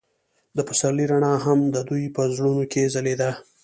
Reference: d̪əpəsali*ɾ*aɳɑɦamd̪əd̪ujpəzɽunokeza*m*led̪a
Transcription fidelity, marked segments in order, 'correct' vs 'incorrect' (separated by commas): correct, incorrect